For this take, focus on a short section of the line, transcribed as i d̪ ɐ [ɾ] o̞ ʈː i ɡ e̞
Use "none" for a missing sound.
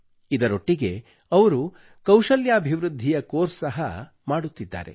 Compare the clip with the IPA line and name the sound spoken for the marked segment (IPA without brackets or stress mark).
ɾ